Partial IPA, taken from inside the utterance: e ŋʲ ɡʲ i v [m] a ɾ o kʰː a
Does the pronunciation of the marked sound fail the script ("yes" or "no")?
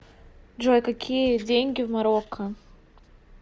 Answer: no